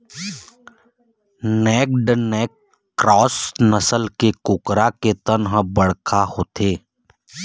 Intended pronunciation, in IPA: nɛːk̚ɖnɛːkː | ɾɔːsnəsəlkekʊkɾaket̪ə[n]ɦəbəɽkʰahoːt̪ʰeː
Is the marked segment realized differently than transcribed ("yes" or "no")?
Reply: no